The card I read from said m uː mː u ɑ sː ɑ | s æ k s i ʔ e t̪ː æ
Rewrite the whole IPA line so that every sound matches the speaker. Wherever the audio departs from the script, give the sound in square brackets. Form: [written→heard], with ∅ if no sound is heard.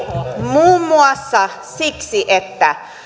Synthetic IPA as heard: m uː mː u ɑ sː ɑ | s [æ→i] k s i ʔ e t̪ː æ

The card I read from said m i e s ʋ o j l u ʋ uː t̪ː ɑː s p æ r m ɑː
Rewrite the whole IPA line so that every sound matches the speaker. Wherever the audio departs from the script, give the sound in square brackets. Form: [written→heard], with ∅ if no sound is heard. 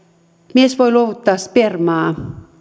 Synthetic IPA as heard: m i e s ʋ o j l [u→o] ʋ [uː→u] t̪ː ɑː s p [æ→e] r m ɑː

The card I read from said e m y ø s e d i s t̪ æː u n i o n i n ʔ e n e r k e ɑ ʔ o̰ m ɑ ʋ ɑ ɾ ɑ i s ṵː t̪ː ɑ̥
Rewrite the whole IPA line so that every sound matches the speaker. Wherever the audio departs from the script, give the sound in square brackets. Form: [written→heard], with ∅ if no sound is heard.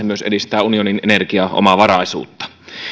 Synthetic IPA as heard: e m y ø s e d i s t̪ æː u n i o n i n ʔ e n e r k [e→i] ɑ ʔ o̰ m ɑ ʋ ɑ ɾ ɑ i s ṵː t̪ː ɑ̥

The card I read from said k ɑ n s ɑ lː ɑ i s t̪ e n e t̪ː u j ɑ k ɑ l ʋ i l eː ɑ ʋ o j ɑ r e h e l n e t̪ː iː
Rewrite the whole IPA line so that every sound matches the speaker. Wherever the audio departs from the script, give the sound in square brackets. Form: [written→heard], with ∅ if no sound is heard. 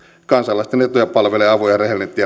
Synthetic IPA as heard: k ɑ n s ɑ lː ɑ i s t̪ e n e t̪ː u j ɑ [k→p] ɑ l ʋ [i→e] l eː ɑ ʋ o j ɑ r e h e l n e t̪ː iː

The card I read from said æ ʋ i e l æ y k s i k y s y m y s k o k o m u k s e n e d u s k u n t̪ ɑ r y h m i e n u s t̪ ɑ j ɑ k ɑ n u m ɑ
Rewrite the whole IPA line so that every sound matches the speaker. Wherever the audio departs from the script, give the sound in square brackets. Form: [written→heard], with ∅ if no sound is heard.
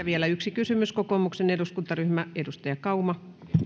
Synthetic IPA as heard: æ ʋ i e l æ y k s i k y s y m y s k o k o m u k s e n e d u s k u n t̪ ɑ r y h m [i→æ] e [n→d] u s t̪ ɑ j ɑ k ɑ [n→∅] u m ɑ

